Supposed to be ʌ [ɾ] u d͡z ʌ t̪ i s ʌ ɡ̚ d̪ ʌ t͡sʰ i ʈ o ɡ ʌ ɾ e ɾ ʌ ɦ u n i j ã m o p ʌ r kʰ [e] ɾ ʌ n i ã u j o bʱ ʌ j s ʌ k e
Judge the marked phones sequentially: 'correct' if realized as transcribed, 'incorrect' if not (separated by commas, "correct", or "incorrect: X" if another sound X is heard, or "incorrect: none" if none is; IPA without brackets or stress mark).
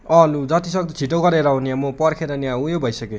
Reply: incorrect: l, correct